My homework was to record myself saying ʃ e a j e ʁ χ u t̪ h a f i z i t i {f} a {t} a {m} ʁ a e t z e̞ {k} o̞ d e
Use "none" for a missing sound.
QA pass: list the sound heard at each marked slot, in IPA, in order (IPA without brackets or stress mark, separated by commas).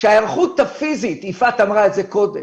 f, t, m, k